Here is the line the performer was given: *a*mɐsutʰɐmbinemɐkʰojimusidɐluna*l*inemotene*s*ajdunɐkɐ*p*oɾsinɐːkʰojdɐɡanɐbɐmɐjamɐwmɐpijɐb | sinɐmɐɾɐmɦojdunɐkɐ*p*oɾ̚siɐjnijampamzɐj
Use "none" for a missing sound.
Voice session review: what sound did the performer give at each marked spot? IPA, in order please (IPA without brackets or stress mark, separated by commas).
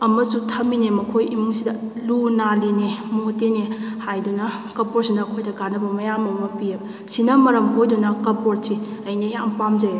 ɐ, l, h, p, p